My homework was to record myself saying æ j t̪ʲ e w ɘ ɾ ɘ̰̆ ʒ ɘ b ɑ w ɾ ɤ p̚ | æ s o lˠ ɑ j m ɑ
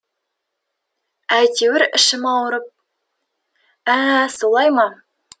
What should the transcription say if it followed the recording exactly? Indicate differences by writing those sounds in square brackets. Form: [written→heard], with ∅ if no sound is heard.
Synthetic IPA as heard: æ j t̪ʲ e w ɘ ɾ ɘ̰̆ [ʒ→ʃ] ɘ [b→m] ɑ w ɾ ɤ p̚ | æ s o lˠ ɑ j m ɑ